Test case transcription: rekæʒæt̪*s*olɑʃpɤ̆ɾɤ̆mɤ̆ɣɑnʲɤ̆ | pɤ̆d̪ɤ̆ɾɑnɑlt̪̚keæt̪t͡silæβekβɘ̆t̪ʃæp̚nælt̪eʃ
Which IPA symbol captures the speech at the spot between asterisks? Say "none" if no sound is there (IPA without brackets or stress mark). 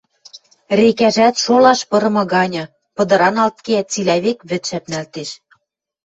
ʃ